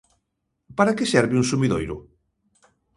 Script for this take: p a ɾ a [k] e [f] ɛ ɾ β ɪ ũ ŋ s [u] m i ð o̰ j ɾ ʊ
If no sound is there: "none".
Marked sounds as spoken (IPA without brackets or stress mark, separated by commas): k, s, u